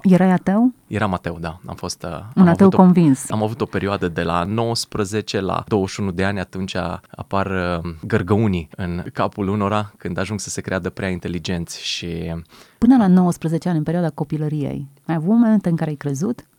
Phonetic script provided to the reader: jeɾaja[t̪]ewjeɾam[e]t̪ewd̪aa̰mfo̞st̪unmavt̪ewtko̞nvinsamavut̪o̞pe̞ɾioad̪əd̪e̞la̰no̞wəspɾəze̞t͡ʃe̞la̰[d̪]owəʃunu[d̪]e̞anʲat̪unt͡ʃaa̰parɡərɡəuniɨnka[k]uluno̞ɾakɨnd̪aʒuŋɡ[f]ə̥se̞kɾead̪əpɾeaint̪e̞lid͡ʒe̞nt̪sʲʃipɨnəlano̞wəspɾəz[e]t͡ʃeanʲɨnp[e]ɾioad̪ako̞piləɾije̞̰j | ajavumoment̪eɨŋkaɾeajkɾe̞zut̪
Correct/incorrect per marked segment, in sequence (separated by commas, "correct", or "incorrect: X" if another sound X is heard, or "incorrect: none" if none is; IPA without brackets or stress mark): correct, incorrect: a, correct, correct, incorrect: p, incorrect: s, correct, correct